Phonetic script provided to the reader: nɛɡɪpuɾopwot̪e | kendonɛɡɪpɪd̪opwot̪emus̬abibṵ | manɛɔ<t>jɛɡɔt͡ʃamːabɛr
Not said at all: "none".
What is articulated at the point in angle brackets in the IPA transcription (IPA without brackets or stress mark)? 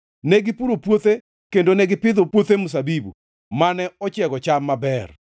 t͡ʃ